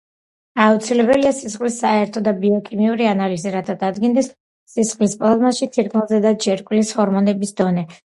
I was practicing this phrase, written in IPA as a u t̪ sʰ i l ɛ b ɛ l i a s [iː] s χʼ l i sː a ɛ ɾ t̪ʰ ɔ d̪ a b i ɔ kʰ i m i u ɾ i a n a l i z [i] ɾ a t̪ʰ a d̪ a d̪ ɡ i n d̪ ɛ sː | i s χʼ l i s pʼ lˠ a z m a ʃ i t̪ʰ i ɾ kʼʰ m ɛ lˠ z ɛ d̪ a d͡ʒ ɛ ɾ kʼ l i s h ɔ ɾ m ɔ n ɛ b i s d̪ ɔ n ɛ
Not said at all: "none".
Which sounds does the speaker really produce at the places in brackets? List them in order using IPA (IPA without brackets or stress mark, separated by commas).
i, i